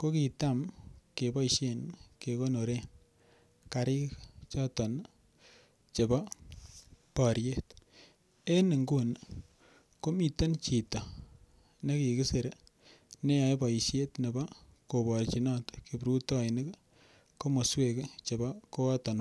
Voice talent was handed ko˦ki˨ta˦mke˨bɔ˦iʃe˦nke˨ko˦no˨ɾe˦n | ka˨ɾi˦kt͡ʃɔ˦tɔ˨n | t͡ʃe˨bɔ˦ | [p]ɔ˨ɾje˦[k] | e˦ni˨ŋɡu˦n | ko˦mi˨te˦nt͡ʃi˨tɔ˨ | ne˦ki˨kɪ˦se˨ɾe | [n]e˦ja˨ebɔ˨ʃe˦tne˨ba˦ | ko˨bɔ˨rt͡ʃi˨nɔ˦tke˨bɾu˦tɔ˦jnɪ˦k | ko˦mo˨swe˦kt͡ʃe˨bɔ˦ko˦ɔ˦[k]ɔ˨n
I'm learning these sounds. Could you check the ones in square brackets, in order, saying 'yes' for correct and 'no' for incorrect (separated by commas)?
yes, no, yes, no